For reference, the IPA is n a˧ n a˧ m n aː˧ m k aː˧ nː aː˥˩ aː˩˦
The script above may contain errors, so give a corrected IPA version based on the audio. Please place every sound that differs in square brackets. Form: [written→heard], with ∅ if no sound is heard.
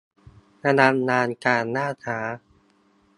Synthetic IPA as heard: n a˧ n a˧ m n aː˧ [m→n] k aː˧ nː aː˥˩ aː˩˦